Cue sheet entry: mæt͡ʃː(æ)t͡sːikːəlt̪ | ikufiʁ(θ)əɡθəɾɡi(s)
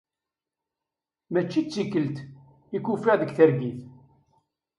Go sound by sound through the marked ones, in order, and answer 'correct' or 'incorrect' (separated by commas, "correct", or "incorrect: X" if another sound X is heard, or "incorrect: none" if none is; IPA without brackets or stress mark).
incorrect: i, incorrect: ð, incorrect: θ